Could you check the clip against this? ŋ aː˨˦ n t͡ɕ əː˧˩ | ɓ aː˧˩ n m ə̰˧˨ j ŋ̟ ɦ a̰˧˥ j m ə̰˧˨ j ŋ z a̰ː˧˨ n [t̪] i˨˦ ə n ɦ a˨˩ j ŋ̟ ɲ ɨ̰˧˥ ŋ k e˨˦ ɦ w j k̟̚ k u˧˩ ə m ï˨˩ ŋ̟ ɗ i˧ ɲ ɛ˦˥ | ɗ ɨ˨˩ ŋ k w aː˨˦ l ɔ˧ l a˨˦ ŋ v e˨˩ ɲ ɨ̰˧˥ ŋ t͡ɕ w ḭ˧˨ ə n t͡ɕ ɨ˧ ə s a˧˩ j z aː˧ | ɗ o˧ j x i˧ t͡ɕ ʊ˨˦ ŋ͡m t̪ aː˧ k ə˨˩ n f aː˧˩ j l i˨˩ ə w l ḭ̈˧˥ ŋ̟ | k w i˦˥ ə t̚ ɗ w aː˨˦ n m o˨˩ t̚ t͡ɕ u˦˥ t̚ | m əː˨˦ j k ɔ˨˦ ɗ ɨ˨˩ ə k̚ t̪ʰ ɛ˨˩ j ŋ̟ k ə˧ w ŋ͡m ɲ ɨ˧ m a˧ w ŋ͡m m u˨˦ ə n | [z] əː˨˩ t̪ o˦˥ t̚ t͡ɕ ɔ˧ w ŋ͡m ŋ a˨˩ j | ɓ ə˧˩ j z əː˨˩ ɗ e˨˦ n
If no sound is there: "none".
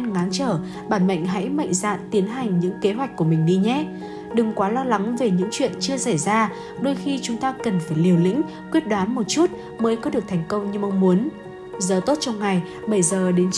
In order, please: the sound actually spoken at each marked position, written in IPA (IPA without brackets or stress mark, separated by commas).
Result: t̪, z